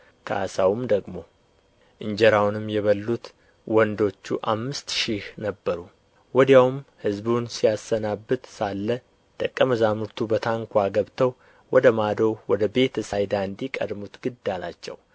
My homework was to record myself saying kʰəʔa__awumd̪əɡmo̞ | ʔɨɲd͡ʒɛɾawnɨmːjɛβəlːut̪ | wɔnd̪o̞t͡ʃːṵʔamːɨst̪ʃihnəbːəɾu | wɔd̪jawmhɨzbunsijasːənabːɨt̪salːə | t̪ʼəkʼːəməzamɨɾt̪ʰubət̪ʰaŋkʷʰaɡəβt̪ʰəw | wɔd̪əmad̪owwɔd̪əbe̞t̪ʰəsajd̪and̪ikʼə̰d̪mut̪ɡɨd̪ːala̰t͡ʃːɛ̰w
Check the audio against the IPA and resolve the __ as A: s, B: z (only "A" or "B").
A